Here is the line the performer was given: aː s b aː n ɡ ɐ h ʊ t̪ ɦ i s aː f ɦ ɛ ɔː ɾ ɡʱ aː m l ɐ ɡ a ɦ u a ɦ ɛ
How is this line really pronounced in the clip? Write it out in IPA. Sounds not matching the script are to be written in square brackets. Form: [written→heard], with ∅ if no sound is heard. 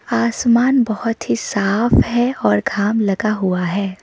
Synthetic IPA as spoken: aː s [b→m] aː n [ɡ→b] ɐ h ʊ t̪ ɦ i s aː f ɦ ɛ ɔː ɾ ɡʱ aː m l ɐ ɡ a ɦ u a ɦ [ɛ→ɛː]

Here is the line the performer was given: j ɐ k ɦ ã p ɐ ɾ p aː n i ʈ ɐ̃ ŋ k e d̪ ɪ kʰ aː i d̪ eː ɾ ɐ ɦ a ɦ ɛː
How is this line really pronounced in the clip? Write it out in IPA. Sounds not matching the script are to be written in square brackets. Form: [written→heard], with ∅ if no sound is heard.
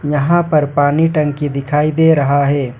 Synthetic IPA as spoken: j ɐ [k→∅] ɦ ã p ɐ ɾ p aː n i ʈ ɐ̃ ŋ k [e→i] d̪ ɪ kʰ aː i d̪ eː ɾ ɐ ɦ a ɦ ɛː

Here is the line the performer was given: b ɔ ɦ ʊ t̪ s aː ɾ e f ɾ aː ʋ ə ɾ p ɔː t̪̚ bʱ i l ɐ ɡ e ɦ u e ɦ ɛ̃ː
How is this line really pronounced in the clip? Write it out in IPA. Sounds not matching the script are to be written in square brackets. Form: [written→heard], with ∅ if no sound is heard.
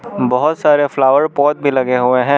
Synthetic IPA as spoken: b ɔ ɦ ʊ t̪ s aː ɾ e f [ɾ→l] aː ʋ ə ɾ p ɔː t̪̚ bʱ i l ɐ ɡ e ɦ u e ɦ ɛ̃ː

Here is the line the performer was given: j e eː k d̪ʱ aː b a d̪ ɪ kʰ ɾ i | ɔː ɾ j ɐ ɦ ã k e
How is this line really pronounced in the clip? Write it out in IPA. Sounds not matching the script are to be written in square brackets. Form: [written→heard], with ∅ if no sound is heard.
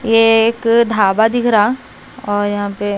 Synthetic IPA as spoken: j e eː k d̪ʱ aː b a d̪ ɪ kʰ ɾ [i→a] | ɔː ɾ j ɐ ɦ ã [k→p] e

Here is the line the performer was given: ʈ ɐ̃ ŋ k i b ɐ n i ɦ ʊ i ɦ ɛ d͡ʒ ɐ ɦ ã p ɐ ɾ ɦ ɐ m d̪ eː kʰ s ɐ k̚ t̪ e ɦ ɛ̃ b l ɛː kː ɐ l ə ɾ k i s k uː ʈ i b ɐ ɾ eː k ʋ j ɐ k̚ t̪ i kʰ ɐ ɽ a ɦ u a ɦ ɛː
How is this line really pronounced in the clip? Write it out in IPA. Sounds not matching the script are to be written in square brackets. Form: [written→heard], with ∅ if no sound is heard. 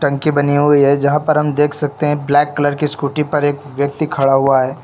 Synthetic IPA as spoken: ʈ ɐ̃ ŋ k i b ɐ n i ɦ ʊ i ɦ ɛ d͡ʒ ɐ ɦ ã p ɐ ɾ ɦ ɐ m d̪ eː kʰ s ɐ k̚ t̪ e ɦ ɛ̃ b l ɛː kː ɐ l ə ɾ k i s k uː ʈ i [b→p] ɐ ɾ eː k ʋ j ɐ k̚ t̪ i kʰ ɐ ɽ a ɦ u a ɦ ɛː

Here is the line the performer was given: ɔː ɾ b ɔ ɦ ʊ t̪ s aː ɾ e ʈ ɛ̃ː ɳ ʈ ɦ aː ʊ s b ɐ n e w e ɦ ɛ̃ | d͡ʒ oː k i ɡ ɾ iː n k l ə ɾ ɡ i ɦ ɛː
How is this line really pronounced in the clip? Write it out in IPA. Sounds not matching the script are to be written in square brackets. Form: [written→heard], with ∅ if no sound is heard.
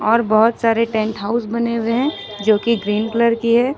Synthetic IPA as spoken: ɔː ɾ b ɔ ɦ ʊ t̪ s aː ɾ e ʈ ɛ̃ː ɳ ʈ ɦ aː ʊ s b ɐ n e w e ɦ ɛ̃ | d͡ʒ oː k i ɡ ɾ iː n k l ə ɾ [ɡ→k] i ɦ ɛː

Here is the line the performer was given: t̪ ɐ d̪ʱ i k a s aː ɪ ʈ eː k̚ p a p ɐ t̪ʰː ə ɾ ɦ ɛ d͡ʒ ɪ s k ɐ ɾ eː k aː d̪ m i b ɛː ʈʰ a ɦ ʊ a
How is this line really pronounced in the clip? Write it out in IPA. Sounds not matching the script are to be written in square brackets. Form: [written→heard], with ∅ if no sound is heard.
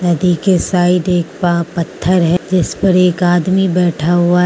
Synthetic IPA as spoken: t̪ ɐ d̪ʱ i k [a→e] s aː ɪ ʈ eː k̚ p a p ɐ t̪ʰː ə ɾ ɦ ɛ d͡ʒ ɪ s [k→p] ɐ ɾ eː k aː d̪ m i b ɛː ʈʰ a ɦ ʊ a

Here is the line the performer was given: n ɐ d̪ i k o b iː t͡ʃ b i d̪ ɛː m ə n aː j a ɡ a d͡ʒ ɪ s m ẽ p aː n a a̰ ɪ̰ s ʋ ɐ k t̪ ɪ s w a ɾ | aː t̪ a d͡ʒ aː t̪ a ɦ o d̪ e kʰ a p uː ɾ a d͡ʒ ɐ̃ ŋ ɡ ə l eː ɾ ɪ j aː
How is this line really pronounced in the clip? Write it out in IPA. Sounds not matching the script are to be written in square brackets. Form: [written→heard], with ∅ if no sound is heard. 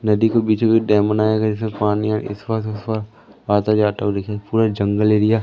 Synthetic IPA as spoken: n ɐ d̪ i k o b iː t͡ʃ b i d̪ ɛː m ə n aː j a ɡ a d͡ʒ ɪ s m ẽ p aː n [a→i] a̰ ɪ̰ s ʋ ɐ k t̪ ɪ s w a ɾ | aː t̪ a d͡ʒ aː t̪ a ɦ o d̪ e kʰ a p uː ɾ a d͡ʒ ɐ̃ ŋ ɡ ə l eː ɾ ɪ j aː

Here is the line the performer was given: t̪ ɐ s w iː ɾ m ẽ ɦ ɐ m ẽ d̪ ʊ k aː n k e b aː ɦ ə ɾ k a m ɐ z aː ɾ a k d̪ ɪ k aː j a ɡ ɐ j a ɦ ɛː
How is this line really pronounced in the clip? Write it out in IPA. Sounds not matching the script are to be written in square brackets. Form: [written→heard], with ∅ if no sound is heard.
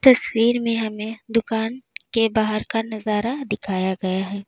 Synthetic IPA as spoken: t̪ ɐ s w iː ɾ m ẽ ɦ ɐ m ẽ d̪ ʊ k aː n k e b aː ɦ ə ɾ k a [m→n] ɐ z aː ɾ a [k→∅] d̪ ɪ [k→kʰ] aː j a ɡ ɐ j a ɦ ɛː

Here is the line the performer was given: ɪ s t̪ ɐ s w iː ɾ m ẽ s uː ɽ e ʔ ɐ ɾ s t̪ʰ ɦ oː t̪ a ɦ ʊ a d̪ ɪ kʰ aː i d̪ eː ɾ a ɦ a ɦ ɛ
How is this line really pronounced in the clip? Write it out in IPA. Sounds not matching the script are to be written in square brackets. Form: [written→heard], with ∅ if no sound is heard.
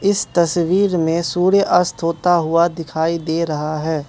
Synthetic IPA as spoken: ɪ s t̪ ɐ s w iː ɾ m ẽ s uː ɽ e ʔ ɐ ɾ s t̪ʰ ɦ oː t̪ a ɦ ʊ a d̪ ɪ kʰ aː i d̪ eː ɾ [a→ɐ] ɦ a ɦ [ɛ→ɛː]

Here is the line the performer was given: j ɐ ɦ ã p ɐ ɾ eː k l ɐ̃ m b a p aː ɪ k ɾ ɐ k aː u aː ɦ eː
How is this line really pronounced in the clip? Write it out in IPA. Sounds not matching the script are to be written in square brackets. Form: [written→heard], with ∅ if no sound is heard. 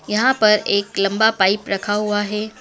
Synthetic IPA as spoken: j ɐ ɦ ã p ɐ ɾ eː k l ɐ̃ m b a p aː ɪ [k→p] ɾ ɐ [k→kʰ] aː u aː ɦ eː

